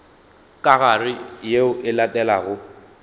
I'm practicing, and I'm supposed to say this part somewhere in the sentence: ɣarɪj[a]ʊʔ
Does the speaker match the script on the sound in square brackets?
no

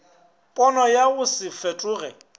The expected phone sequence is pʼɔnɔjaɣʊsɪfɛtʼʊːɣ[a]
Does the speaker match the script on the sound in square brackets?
no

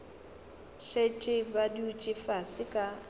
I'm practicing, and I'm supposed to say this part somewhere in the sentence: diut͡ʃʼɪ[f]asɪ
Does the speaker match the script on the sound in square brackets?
yes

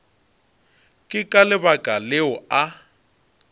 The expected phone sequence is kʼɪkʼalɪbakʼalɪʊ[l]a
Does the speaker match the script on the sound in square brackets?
no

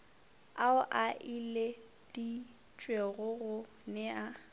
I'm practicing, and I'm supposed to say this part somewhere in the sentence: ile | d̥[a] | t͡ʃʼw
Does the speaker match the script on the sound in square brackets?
no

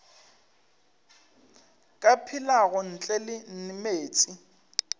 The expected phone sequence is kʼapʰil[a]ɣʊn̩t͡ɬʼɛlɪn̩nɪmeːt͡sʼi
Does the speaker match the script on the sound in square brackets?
yes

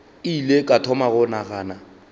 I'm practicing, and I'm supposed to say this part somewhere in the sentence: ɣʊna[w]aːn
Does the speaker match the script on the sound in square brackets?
no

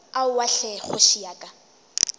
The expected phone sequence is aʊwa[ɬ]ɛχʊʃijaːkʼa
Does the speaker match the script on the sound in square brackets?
yes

